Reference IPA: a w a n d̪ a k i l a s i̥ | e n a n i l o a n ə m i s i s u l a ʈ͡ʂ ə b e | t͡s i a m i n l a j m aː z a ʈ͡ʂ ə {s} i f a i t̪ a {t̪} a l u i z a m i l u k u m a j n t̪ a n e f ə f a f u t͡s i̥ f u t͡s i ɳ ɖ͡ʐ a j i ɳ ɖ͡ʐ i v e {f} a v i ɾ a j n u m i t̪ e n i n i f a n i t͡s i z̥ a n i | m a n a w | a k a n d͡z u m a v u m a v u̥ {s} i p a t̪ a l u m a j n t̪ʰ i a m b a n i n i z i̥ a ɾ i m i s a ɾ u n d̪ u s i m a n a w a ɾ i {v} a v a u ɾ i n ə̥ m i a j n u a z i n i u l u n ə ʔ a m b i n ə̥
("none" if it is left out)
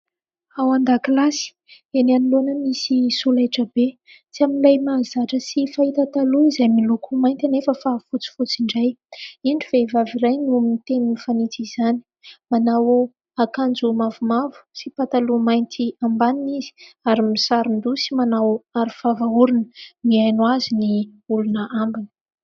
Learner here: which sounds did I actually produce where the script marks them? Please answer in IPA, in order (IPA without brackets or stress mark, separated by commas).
s, t̪, v, s, f